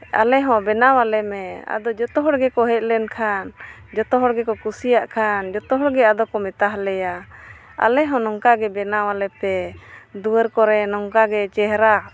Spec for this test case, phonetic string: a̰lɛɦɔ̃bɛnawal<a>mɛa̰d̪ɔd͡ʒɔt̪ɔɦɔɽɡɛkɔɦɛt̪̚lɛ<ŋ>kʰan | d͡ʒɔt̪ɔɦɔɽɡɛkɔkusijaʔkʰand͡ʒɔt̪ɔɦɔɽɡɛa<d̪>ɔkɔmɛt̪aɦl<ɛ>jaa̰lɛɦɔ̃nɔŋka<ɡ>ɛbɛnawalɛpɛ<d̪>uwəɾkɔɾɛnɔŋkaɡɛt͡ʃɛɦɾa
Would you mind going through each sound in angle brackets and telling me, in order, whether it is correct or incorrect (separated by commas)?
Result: incorrect, incorrect, correct, correct, correct, correct